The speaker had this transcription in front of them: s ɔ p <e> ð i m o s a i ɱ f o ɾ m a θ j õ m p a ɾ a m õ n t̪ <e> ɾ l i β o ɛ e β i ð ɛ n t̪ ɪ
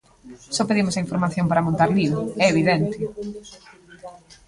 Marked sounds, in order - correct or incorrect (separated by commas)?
correct, incorrect